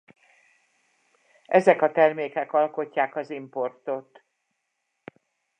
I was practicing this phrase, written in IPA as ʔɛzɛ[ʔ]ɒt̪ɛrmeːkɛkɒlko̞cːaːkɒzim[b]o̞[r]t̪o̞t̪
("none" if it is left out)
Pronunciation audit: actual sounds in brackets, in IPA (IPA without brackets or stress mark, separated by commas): k, p, r